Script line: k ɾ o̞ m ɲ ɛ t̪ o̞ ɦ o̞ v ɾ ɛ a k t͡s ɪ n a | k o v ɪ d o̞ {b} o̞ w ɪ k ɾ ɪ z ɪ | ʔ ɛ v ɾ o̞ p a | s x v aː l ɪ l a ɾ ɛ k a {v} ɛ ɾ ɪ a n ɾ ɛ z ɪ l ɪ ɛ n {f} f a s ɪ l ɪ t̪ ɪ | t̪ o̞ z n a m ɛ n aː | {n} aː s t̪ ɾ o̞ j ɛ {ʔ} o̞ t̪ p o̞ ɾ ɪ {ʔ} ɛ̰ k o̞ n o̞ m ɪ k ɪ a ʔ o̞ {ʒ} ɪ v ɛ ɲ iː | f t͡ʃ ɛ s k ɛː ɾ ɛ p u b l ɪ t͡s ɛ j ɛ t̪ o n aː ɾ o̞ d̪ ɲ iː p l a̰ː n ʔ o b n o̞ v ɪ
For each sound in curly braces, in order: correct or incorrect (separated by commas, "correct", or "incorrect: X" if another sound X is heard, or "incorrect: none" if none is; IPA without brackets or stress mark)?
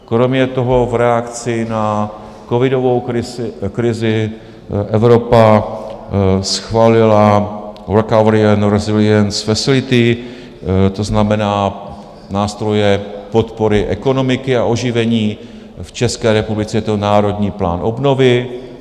incorrect: v, correct, incorrect: s, correct, incorrect: p, correct, correct